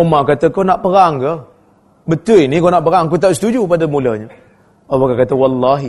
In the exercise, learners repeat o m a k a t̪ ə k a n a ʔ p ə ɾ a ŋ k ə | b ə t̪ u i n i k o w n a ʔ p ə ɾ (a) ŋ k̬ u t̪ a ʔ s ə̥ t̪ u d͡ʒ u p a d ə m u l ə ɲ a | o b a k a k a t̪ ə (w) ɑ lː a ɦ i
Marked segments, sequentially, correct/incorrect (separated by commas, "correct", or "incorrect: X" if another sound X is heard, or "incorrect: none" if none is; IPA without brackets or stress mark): correct, correct